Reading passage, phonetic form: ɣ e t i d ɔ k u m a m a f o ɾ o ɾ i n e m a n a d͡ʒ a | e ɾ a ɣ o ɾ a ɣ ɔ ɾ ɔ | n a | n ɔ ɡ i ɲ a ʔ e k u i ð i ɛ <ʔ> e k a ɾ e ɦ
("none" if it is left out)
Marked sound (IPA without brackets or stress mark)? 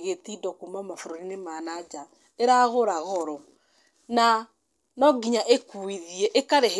ʔ